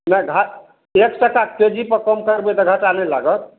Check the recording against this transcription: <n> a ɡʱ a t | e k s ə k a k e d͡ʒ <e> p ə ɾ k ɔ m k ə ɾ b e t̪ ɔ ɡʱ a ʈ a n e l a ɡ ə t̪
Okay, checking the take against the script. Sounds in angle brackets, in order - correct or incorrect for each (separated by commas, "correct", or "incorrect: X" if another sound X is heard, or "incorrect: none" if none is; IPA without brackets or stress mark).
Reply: correct, incorrect: i